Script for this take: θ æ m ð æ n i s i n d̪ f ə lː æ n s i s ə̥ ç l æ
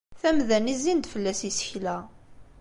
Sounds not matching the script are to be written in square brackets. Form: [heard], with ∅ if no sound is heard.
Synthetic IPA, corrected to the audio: θ æ m ð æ n i [z] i n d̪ f ə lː æ [∅] s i s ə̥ ç l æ